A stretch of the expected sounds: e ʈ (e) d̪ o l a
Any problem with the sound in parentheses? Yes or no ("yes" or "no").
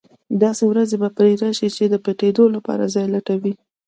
no